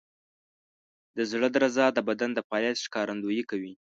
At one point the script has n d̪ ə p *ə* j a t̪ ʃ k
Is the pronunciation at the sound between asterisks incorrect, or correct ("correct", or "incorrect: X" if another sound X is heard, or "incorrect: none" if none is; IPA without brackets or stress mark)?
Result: incorrect: ɑ